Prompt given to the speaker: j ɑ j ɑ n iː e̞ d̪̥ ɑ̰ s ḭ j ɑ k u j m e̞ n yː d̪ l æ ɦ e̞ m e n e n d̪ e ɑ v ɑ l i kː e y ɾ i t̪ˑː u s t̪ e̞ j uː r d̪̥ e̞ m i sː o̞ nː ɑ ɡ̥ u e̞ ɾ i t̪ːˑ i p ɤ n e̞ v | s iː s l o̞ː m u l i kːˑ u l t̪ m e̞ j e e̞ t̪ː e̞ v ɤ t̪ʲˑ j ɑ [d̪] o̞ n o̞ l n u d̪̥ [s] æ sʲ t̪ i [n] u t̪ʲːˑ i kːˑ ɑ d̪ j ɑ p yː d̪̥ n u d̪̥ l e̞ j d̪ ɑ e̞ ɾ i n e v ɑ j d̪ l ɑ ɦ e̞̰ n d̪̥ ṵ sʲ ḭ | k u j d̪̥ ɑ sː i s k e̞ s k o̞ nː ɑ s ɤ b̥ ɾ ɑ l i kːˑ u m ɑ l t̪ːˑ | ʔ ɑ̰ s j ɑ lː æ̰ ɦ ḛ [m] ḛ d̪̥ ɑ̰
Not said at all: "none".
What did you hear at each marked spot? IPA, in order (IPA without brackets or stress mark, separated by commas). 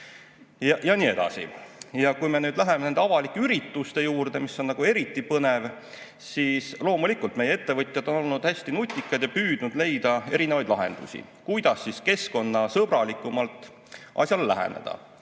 d̪, h, n, n